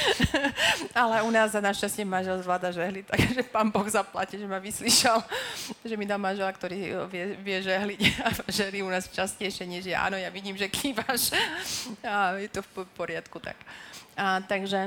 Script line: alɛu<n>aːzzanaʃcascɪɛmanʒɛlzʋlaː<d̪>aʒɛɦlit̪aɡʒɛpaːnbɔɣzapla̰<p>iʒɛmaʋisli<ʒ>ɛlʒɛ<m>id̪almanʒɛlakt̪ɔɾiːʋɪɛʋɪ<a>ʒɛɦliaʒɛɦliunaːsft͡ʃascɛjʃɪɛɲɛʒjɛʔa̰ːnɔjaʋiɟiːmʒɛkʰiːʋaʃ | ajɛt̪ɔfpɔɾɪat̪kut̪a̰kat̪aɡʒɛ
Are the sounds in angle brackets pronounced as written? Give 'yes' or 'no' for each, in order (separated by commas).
yes, yes, no, no, yes, no